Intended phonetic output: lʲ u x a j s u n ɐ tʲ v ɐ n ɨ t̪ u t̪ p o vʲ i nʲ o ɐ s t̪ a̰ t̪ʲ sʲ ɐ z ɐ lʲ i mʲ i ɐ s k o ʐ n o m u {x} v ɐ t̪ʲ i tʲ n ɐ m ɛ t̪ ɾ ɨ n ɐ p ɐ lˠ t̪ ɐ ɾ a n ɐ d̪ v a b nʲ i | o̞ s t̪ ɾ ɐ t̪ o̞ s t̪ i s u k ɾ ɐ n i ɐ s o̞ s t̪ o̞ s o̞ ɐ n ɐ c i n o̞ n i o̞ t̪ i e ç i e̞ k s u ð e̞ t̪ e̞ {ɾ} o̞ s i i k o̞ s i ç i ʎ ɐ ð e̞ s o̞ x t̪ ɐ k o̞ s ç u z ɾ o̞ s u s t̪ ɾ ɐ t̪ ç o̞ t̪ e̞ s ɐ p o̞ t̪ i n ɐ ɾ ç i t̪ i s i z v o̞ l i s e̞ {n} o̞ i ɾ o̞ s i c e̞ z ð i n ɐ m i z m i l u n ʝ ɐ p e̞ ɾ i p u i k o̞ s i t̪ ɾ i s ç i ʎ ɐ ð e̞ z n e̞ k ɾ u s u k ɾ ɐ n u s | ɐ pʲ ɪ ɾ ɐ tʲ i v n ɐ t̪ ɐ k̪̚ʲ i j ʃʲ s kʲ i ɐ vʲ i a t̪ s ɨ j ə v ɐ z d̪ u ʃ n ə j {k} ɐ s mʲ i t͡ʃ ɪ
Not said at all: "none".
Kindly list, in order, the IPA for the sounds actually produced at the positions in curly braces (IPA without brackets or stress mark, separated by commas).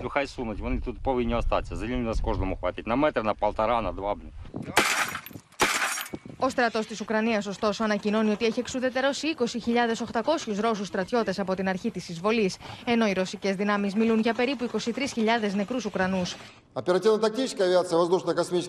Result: x, ɾ, n, k